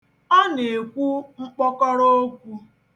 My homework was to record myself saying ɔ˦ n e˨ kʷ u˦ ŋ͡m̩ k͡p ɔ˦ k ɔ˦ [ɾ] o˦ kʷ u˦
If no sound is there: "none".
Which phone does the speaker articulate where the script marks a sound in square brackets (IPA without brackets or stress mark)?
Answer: ɾ